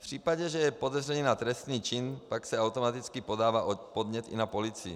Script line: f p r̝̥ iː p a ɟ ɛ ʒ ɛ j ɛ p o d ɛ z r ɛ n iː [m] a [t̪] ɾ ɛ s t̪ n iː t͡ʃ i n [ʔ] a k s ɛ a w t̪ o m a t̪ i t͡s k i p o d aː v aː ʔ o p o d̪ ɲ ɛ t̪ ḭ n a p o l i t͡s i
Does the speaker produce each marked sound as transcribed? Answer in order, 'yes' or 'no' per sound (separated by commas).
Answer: no, yes, no